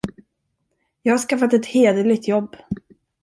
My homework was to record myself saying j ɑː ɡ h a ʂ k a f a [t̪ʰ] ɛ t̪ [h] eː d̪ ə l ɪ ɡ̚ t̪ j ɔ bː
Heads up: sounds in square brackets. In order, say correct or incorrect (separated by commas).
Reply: incorrect, correct